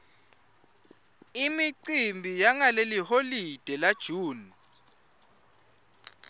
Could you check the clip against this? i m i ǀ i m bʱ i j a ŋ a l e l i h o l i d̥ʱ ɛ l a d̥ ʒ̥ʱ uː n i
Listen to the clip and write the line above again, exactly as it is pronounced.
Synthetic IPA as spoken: i m i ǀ i m bʱ i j a ŋ a l e l i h o l i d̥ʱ ɛ l a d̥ ʒ̥ʱ uː n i